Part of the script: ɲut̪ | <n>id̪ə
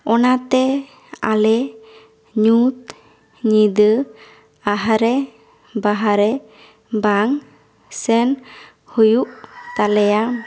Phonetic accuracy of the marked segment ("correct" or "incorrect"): incorrect